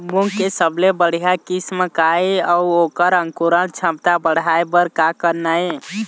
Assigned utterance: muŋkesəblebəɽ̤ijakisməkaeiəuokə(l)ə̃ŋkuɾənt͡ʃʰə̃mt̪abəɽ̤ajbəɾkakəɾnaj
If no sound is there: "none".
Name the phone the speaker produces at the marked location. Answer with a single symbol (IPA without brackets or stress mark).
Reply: ɾ